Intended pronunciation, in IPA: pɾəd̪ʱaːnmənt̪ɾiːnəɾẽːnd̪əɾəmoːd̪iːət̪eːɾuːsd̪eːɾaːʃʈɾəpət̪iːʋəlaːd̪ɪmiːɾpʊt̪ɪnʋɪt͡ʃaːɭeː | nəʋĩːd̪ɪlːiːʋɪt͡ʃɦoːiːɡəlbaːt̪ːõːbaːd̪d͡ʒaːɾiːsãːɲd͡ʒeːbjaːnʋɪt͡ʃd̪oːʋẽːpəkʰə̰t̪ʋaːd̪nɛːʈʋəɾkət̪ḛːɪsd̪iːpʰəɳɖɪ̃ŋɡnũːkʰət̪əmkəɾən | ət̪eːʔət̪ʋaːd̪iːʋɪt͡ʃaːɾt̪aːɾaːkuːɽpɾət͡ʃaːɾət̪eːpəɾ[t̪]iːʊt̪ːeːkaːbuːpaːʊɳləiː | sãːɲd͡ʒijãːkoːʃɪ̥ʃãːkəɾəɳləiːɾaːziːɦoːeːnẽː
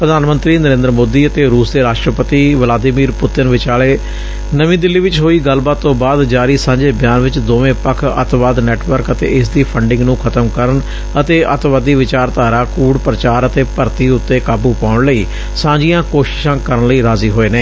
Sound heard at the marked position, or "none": t̪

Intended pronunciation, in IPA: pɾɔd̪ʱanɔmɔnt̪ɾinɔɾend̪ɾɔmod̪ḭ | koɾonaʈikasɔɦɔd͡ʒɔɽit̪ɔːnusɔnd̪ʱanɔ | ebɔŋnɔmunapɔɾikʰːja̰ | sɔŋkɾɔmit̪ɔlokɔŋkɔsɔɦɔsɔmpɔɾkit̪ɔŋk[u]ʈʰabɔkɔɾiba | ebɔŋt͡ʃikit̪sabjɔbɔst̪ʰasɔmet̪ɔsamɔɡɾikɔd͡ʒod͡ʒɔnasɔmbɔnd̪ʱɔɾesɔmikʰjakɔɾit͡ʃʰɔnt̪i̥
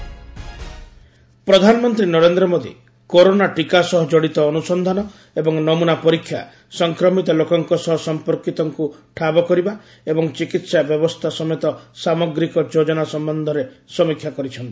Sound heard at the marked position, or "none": u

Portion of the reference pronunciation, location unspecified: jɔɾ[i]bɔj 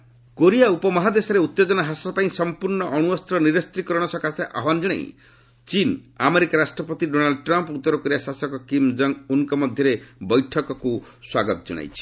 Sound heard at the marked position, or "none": e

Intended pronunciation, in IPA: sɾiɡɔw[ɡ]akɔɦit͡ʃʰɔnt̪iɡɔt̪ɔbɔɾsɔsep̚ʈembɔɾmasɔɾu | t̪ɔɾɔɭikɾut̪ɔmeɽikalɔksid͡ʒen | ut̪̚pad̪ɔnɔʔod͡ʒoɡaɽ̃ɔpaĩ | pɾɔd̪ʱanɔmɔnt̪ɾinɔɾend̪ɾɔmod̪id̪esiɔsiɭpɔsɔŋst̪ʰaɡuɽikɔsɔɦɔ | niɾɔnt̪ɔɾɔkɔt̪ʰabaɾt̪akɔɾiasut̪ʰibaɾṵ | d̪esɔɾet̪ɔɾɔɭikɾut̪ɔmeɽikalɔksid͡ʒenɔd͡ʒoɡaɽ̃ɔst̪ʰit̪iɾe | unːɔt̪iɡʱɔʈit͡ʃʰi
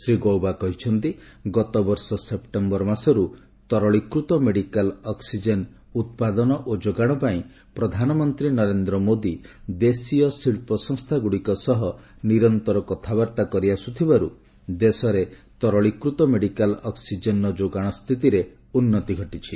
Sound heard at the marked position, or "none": b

